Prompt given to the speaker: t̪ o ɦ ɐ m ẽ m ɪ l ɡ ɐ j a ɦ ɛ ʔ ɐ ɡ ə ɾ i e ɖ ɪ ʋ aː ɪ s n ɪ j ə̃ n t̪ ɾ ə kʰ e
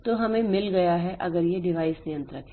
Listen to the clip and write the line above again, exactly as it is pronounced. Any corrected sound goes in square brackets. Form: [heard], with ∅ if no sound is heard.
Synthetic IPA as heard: t̪ o ɦ ɐ m ẽ m ɪ l ɡ ɐ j a ɦ ɛ ʔ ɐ ɡ ə ɾ [j] e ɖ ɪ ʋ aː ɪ s n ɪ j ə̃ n t̪ ɾ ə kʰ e